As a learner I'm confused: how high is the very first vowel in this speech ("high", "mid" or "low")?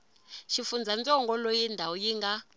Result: high